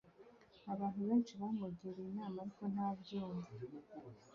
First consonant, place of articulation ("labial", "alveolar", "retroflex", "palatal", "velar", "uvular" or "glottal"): labial